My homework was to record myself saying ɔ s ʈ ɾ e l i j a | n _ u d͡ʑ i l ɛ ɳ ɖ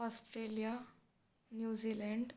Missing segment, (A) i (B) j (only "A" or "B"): B